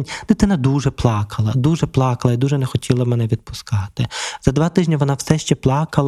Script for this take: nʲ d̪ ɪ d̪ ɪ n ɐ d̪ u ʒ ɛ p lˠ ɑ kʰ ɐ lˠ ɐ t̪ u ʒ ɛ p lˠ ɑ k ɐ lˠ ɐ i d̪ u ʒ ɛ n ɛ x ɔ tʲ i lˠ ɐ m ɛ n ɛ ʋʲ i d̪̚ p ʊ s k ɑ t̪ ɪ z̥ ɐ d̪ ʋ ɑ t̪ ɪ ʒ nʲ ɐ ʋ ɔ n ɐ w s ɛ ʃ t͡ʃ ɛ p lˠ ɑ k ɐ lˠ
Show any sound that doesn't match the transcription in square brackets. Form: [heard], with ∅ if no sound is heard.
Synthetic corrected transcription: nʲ d̪ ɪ [t̪] ɪ n ɐ d̪ u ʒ ɛ p lˠ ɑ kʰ ɐ lˠ ɐ [d̪] u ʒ ɛ p lˠ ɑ k ɐ lˠ ɐ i d̪ u ʒ ɛ n ɛ x ɔ tʲ i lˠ ɐ m ɛ n ɛ ʋʲ i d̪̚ p ʊ s k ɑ t̪ ɪ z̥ ɐ d̪ ʋ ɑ t̪ ɪ ʒ nʲ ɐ ʋ ɔ n [ɑ] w s ɛ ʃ t͡ʃ ɛ p lˠ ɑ k ɐ lˠ